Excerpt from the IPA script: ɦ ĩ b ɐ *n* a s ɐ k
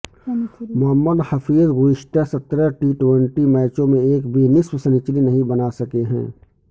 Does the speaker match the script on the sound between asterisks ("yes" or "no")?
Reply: yes